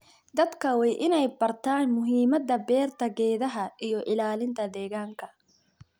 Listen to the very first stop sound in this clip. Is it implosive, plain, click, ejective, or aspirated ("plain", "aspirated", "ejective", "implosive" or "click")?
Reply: plain